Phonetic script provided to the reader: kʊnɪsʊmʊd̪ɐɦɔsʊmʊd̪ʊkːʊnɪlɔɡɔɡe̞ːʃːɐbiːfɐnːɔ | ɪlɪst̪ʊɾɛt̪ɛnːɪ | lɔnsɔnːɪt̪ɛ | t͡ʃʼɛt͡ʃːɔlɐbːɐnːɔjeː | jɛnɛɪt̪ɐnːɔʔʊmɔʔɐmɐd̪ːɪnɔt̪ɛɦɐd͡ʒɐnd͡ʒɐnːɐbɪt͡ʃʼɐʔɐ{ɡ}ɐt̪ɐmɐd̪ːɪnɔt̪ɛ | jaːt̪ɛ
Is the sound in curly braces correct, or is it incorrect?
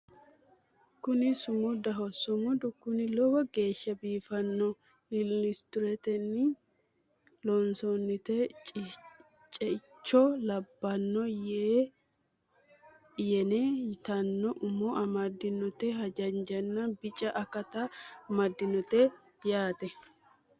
incorrect